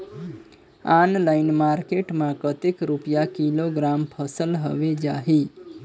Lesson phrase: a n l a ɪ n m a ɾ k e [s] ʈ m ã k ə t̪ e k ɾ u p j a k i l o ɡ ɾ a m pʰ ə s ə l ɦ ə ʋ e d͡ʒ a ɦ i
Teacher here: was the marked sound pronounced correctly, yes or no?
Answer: no